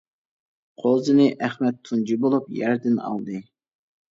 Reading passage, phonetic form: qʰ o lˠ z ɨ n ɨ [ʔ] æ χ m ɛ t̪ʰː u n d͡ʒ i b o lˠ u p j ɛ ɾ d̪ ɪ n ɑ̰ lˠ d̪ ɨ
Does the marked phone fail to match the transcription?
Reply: no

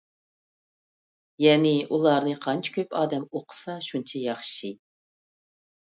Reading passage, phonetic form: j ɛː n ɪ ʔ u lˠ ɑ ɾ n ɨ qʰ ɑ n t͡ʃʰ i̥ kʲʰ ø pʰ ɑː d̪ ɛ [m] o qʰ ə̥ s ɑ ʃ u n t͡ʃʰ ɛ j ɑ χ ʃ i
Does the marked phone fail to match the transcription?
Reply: no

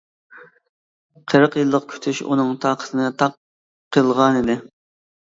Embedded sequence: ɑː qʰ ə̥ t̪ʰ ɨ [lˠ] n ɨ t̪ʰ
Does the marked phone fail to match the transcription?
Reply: yes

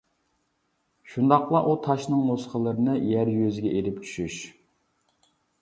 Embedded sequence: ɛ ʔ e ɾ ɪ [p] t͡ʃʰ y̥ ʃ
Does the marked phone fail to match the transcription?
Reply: no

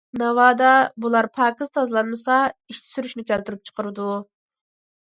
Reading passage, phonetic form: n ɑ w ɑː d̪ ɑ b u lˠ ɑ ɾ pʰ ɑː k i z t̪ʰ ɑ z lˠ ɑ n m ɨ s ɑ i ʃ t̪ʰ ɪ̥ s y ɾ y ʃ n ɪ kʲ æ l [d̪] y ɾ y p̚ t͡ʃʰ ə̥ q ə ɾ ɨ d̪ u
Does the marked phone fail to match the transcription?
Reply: yes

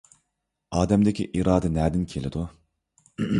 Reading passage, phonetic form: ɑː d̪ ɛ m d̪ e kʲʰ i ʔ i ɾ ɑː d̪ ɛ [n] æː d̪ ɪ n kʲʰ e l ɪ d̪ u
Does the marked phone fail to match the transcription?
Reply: no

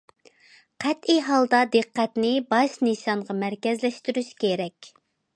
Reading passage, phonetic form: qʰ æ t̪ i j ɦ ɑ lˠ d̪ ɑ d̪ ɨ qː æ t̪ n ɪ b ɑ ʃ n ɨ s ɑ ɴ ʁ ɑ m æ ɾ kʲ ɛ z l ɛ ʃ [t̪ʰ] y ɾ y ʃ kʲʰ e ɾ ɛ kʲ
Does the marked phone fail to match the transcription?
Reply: yes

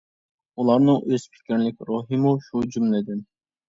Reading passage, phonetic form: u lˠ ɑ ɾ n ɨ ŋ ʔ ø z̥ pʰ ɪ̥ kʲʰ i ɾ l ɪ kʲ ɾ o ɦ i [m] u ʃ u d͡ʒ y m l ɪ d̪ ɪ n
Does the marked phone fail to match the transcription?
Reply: no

